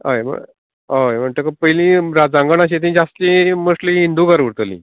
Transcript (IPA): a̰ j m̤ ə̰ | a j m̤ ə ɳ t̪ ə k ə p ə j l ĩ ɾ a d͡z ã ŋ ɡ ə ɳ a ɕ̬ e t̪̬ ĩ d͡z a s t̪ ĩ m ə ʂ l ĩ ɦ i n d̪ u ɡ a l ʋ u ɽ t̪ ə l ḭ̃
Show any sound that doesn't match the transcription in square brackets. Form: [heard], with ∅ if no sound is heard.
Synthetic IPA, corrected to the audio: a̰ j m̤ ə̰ | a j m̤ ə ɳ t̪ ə k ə p ə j l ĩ ɾ a d͡z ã ŋ ɡ ə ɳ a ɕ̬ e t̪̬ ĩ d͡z a s t̪ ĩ m ə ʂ l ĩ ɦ i n d̪ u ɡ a [ɾ] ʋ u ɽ t̪ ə l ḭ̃